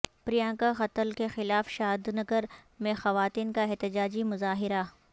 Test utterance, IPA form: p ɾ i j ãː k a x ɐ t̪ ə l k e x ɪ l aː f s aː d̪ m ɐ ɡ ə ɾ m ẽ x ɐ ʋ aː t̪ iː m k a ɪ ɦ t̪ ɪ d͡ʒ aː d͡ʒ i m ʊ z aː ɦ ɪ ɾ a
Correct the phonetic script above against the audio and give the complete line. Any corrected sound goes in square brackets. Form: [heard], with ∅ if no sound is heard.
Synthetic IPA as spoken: p ɾ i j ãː k a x ɐ t̪ ə l k e x ɪ l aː f [ʃ] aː d̪ [n] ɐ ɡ ə ɾ m ẽ x ɐ ʋ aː t̪ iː [n] k a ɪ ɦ t̪ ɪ d͡ʒ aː d͡ʒ i m ʊ z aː ɦ ɪ ɾ a